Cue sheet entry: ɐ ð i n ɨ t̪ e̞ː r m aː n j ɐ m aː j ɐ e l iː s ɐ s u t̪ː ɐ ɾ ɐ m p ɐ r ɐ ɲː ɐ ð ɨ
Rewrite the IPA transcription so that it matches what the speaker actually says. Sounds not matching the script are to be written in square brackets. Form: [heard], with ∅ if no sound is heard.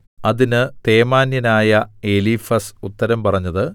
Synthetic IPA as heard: ɐ ð i n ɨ t̪ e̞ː [∅] m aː n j ɐ [n] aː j ɐ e l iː [f] ɐ s u t̪ː ɐ ɾ ɐ m p ɐ r ɐ ɲː ɐ ð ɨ